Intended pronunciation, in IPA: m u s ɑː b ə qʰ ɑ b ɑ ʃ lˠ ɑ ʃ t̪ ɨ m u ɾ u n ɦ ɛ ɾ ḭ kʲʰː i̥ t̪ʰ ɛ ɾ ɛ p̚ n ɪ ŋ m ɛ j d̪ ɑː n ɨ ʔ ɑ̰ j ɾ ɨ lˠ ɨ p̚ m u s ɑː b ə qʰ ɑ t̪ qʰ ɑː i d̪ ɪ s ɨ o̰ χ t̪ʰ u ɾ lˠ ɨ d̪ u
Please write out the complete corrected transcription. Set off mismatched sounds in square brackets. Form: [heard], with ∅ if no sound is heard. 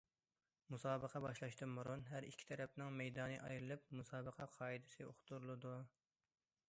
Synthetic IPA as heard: m u s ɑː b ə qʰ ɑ b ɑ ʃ lˠ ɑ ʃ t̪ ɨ m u ɾ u n ɦ [æ] ɾ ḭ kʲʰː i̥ t̪ʰ ɛ ɾ ɛ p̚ n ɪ ŋ m ɛ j d̪ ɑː n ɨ ʔ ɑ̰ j ɾ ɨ lˠ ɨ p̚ m u s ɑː b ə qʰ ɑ [∅] qʰ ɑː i d̪ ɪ s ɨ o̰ χ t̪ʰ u ɾ lˠ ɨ d̪ u